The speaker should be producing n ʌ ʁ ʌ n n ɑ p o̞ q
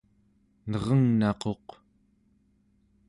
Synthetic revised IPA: n ʌ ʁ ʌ ŋ n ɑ q o̞ q